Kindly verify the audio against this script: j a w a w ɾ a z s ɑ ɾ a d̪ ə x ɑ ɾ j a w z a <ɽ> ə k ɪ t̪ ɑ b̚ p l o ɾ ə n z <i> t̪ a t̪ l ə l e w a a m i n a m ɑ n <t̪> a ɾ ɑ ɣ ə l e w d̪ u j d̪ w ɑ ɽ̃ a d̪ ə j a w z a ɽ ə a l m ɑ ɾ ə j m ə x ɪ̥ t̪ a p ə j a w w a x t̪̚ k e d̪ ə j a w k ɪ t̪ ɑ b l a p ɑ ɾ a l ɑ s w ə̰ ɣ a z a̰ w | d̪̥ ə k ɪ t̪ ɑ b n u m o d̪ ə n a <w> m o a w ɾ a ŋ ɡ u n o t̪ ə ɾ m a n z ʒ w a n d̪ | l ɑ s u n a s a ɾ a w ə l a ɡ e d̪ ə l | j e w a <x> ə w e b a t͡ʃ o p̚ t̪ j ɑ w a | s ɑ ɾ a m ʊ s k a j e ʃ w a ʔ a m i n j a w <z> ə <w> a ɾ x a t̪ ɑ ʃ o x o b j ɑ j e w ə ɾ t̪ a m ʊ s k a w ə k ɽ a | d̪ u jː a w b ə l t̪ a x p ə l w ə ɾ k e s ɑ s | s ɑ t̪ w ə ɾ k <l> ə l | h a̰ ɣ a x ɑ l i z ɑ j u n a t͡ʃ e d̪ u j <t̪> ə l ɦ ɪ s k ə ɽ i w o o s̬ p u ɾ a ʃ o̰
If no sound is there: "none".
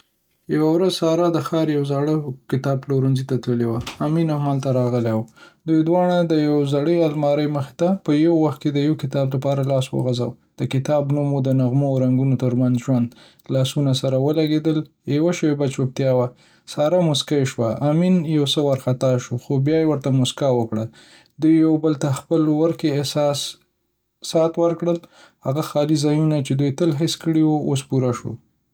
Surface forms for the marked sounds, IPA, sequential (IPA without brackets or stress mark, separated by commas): ɽ, i, t̪, ɣ, ʃ, s, w, ɽ, t̪